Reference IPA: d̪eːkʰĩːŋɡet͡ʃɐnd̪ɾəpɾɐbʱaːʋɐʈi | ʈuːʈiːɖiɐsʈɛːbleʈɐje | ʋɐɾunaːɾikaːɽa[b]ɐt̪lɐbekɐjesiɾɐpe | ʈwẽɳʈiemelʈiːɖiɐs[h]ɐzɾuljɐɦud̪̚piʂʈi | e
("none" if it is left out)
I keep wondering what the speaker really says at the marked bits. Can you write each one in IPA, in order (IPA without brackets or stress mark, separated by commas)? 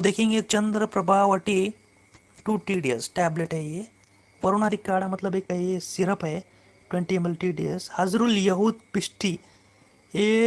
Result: m, h